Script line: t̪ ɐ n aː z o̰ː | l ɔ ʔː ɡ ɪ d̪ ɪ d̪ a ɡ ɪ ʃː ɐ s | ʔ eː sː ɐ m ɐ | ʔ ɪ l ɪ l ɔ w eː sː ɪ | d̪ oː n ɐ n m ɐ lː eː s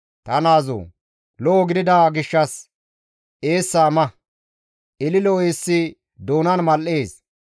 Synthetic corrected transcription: t̪ ɐ n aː z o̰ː | l ɔ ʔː ɡ ɪ d̪ ɪ d̪ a ɡ ɪ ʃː ɐ s | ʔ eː sː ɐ m ɐ | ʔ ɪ l ɪ l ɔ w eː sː ɪ | d̪ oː n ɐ n m ɐ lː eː s